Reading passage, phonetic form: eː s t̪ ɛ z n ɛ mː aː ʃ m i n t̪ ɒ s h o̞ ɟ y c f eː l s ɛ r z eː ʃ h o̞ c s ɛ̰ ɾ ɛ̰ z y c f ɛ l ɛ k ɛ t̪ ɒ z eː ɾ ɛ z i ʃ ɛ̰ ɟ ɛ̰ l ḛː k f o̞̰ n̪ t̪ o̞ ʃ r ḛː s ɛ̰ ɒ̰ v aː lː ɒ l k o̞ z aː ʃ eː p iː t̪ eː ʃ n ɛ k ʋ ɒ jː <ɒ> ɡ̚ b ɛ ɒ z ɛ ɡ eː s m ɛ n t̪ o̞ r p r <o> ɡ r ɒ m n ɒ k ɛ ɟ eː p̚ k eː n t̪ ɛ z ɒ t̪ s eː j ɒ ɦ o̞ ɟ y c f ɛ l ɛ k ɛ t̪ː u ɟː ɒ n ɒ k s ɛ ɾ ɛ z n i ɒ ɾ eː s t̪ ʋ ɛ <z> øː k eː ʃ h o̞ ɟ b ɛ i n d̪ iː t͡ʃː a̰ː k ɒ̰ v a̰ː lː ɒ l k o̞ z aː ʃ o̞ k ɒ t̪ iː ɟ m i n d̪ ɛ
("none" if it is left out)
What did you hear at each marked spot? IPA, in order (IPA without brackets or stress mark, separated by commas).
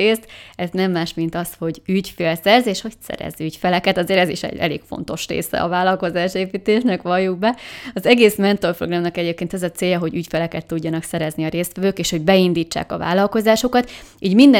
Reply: u, o, v